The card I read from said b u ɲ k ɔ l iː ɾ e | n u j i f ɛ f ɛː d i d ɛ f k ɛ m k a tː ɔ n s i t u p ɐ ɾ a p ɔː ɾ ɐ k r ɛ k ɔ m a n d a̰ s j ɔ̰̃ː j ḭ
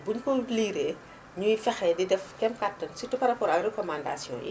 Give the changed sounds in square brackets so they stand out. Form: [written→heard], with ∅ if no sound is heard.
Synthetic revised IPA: b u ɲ k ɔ l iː ɾ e | [n→ɲ] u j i f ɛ [f→x] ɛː d i d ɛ f k ɛ m k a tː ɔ n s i t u p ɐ ɾ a p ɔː ɾ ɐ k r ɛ k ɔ m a n d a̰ s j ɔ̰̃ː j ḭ